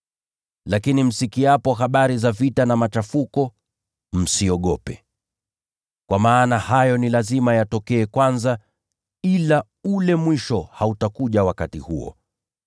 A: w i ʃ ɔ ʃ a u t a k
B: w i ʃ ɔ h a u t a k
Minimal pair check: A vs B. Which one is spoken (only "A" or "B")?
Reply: B